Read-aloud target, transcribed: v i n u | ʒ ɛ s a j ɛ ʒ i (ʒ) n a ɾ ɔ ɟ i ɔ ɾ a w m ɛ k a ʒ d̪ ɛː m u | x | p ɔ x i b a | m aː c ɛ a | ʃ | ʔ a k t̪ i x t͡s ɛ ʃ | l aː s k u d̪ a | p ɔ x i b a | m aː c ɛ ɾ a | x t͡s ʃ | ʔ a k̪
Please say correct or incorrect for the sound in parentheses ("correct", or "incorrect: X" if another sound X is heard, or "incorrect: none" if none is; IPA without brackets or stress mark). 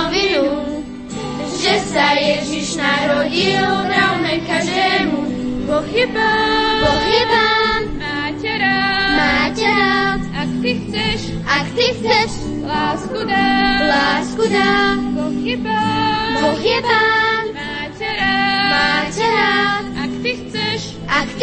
incorrect: ʃ